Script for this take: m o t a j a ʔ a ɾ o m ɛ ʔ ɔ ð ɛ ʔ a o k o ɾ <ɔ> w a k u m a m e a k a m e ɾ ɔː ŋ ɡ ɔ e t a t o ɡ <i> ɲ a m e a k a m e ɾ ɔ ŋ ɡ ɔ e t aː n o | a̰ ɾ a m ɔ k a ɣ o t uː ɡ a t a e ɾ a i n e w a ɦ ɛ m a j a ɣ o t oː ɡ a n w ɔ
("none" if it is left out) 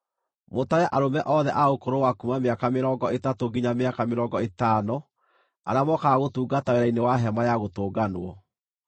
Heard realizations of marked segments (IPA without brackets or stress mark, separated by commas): o, i